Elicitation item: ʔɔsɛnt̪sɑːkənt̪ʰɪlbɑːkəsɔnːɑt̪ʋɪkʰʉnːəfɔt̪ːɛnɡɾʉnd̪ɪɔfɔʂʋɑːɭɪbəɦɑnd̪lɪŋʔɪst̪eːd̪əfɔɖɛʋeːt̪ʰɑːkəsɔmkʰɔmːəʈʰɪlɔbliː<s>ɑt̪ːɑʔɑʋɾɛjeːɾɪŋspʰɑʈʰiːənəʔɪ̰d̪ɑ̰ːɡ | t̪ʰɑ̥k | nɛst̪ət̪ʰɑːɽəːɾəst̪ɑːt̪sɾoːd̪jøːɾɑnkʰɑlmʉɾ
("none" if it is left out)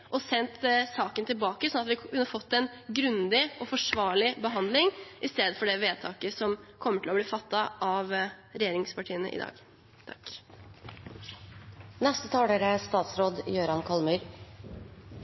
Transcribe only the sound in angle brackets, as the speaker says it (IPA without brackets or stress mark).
f